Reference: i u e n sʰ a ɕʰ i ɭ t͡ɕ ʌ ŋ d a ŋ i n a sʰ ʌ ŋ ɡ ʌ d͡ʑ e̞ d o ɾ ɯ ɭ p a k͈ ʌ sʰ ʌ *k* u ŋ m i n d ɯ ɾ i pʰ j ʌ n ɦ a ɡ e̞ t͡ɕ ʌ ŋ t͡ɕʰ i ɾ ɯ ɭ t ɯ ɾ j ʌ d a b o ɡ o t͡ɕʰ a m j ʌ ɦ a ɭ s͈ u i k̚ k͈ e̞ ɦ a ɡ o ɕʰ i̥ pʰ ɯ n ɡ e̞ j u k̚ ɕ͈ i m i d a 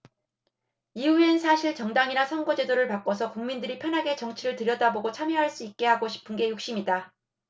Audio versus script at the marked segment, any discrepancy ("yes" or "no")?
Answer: no